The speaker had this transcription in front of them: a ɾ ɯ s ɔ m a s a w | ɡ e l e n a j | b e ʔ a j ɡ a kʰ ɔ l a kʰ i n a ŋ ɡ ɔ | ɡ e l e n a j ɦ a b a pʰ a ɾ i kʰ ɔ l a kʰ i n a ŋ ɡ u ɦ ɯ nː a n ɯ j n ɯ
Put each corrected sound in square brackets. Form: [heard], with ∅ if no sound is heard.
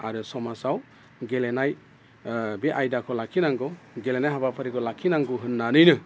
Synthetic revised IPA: a ɾ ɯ s ɔ m a s a w | ɡ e l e n a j | b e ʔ a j [d] a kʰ ɔ l a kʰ i n a ŋ ɡ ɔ | ɡ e l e n a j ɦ a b a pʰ a ɾ i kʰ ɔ l a kʰ i n a ŋ ɡ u ɦ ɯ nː a n ɯ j n ɯ